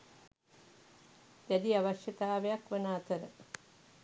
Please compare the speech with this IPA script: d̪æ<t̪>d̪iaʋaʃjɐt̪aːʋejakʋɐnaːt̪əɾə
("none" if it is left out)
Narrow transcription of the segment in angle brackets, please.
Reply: none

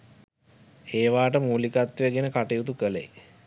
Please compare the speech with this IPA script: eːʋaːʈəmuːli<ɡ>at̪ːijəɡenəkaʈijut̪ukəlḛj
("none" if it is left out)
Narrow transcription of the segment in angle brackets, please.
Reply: k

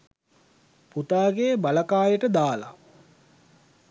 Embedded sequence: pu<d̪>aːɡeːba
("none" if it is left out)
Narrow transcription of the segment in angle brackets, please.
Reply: t̪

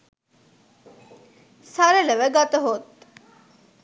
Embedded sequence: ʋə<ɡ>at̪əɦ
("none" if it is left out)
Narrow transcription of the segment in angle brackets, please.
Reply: ɡ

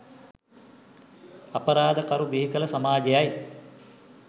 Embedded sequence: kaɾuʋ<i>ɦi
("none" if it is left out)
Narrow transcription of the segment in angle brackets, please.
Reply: i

